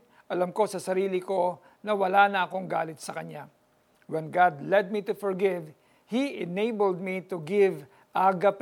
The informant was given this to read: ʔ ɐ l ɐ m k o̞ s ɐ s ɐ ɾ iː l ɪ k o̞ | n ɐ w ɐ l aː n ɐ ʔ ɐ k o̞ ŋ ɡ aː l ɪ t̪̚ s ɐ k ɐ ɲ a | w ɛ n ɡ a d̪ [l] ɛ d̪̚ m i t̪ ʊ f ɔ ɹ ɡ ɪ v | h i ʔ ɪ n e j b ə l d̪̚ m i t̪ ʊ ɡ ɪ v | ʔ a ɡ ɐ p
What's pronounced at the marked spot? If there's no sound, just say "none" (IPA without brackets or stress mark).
l